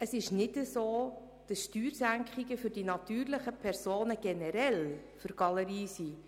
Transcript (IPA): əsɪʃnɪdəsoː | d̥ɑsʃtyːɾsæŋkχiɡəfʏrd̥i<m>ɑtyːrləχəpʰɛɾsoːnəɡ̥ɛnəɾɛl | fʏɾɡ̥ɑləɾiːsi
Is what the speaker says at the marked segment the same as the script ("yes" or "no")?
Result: no